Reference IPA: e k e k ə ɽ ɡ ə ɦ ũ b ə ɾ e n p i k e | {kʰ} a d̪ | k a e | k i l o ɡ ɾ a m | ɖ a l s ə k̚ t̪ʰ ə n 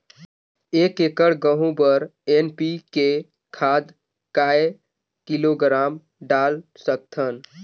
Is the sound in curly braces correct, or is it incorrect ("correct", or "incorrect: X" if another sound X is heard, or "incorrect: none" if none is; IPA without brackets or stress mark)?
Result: correct